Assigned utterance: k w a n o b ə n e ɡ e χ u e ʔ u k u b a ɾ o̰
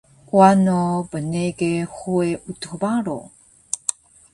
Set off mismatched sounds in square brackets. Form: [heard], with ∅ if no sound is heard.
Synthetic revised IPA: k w a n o b ə n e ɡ e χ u e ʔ u [t] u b a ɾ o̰